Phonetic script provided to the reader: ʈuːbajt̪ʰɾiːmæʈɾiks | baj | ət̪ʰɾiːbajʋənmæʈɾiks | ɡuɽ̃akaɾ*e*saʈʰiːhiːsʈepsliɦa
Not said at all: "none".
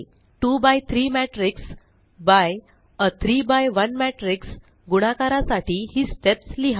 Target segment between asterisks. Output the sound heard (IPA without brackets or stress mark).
a